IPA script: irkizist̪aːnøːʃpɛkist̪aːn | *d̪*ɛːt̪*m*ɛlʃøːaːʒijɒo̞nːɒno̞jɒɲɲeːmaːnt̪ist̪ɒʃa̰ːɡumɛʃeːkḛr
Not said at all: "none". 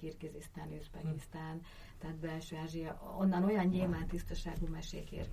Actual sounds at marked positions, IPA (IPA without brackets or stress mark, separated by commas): t̪, b